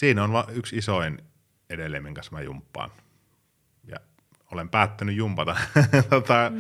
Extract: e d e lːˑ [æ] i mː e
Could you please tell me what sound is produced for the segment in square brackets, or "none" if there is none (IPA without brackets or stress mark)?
e